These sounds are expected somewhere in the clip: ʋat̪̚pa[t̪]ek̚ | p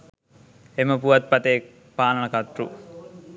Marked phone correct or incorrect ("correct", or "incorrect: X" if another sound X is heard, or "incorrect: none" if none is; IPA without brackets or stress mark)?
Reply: correct